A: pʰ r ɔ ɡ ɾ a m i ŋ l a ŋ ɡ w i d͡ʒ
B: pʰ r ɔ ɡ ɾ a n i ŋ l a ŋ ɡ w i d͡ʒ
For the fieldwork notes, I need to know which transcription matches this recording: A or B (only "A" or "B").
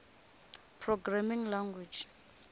A